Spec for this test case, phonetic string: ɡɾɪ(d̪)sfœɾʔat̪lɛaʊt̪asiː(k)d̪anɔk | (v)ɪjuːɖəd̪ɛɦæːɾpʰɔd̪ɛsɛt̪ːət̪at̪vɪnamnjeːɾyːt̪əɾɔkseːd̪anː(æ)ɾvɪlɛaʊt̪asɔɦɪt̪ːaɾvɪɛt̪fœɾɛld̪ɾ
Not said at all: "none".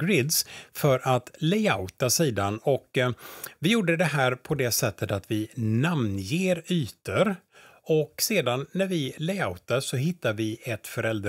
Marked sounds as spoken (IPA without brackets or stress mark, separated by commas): d̪, none, v, æ